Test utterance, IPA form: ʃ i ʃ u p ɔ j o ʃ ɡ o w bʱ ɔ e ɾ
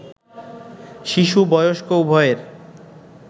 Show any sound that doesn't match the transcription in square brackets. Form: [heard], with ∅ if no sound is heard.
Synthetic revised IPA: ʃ i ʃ u [b] ɔ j o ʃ [k] o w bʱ ɔ e ɾ

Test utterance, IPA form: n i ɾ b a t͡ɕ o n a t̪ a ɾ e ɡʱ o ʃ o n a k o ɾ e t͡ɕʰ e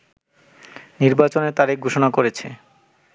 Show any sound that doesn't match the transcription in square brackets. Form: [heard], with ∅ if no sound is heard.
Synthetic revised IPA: n i ɾ b a t͡ɕ o n [e] t̪ a ɾ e ɡʱ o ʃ o n a k o ɾ e t͡ɕʰ e

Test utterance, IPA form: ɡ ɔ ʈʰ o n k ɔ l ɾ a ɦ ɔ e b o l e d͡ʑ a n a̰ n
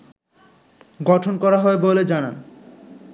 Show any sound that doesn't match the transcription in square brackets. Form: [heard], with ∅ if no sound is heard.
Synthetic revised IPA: ɡ ɔ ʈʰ o n k ɔ [∅] ɾ a ɦ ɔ e b o l e d͡ʑ a n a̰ n

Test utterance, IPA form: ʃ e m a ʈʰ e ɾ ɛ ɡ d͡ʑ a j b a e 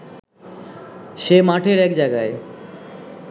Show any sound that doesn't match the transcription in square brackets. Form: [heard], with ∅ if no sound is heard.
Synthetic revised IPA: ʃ e m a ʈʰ e ɾ ɛ [k] d͡ʑ a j [ɡ] a e

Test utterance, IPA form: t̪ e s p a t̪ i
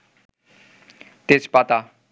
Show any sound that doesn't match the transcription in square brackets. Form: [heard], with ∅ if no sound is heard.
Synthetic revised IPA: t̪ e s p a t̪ [a]

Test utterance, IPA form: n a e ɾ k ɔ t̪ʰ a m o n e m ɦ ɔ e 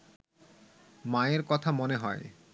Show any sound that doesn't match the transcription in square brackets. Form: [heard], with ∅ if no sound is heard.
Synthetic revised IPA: [m] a e ɾ k ɔ t̪ʰ a m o n e [∅] ɦ ɔ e

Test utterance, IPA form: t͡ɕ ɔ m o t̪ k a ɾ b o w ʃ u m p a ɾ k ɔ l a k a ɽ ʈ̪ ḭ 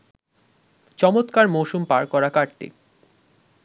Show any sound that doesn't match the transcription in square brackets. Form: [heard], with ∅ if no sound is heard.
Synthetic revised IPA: t͡ɕ ɔ m o t̪ k a ɾ [m] o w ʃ u m p a ɾ k ɔ [ɾ] a k a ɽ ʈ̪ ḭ

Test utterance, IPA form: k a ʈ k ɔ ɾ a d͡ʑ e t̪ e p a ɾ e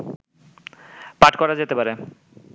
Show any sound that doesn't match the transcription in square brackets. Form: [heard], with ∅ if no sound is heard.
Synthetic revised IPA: [p] a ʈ k ɔ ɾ a d͡ʑ e t̪ e p a ɾ e

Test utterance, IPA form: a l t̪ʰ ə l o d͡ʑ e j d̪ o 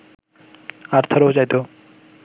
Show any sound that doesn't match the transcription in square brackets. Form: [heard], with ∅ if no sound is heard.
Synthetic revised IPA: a [ɾ] t̪ʰ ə [ɾ] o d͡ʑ [a] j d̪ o

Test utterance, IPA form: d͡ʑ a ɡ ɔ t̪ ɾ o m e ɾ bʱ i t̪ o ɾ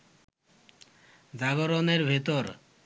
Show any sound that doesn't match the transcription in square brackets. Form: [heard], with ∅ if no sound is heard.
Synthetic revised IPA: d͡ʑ a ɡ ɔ [∅] ɾ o [n] e ɾ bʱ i t̪ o ɾ

